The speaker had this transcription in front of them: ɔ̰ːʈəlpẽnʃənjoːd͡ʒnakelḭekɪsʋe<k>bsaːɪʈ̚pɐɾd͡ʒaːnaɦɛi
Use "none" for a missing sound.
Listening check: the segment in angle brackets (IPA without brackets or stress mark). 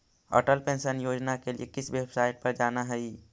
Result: none